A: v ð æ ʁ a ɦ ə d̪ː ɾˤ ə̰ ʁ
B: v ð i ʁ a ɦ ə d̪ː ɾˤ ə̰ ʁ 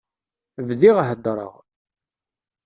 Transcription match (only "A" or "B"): B